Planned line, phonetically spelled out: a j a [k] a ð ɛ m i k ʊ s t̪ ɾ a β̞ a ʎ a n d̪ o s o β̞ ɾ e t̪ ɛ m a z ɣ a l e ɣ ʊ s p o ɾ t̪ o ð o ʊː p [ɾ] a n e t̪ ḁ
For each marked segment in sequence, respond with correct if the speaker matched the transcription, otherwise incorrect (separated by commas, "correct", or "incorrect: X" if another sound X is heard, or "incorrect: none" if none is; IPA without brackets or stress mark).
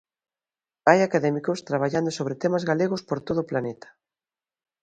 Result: correct, incorrect: l